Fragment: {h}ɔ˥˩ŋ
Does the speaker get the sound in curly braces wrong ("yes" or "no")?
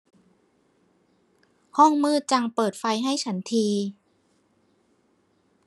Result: no